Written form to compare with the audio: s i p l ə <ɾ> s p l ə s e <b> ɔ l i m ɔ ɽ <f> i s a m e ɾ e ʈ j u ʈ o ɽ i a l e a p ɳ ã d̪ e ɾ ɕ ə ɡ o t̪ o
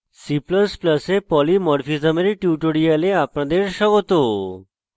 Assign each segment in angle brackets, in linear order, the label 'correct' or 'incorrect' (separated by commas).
incorrect, incorrect, correct